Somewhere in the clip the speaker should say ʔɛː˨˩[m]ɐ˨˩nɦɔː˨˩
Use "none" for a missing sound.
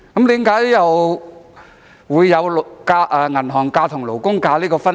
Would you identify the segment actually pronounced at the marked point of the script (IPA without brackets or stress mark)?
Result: ŋ